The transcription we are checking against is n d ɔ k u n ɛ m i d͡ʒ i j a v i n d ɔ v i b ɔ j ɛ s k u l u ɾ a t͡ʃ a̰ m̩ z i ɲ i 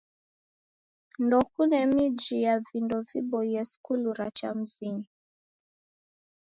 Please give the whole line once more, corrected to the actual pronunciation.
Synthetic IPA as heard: n d ɔ k u n ɛ m i d͡ʒ i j a v i n d ɔ v i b ɔ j ɛ s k u l u ɾ a t͡ʃ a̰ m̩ z i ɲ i